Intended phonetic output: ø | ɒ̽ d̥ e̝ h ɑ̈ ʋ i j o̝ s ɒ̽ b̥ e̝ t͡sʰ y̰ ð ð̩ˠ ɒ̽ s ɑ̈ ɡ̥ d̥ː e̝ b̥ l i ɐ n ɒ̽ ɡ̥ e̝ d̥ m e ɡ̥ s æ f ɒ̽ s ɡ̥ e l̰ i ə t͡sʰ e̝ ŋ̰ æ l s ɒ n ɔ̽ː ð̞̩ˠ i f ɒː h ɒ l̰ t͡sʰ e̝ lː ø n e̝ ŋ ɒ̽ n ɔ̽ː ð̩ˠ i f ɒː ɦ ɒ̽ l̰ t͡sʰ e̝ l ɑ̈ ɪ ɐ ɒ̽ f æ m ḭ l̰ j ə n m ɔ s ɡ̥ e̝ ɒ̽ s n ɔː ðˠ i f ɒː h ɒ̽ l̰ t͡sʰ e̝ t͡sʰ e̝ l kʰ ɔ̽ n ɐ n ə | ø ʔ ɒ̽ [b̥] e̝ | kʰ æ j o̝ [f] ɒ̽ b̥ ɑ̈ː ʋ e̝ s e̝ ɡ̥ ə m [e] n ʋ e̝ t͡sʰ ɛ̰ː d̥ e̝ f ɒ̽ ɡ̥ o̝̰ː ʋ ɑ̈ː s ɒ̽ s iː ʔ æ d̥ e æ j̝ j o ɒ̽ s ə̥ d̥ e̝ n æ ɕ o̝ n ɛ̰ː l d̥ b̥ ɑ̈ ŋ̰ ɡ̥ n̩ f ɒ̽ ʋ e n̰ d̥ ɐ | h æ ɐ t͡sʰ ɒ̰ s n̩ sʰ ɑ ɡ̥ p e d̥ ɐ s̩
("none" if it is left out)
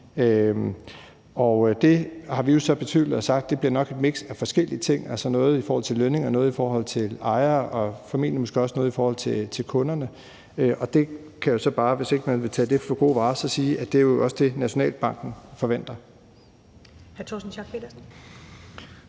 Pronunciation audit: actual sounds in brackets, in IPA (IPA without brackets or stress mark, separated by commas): d̥, s, æ